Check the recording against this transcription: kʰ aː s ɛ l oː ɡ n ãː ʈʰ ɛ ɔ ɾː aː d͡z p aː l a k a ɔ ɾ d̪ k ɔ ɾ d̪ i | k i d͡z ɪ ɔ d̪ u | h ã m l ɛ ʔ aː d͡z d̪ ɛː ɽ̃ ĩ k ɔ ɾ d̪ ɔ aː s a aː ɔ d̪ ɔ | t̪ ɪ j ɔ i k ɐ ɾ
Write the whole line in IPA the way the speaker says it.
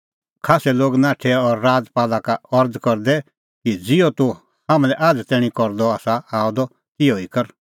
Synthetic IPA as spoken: kʰ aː s ɛ l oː ɡ n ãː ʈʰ ɛ ɔ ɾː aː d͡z p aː l a k a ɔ ɾ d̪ k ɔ ɾ d̪ ɛ | k i d͡z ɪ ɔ t̪ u | h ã m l ɛ ʔ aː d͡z t̪ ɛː ɽ̃ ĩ k ɔ ɾ d̪ ɔ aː s a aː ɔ d̪ ɔ | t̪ ɪ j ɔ i k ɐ ɾ